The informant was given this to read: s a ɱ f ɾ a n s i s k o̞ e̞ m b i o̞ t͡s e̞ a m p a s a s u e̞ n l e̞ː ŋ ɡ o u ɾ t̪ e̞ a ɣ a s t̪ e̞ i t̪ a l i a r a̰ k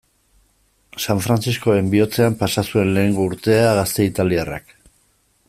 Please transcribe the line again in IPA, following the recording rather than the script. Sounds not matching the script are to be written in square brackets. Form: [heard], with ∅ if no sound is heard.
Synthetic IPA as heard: s a ɱ f ɾ a n [t͡s] i s k o̞ e̞ m b i o̞ t͡s e̞ a m p a s a s u e̞ n l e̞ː ŋ ɡ o u ɾ t̪ e̞ a ɣ a s t̪ e̞ i t̪ a l i a r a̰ k